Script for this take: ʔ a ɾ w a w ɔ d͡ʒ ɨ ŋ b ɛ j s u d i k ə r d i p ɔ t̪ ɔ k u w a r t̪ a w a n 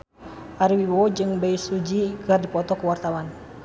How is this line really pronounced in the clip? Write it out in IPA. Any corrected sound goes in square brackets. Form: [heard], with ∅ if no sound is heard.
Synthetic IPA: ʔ a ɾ w [i] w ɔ d͡ʒ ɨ ŋ b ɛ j s u [d͡ʒ] i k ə r d i p ɔ t̪ ɔ k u w a r t̪ a w a n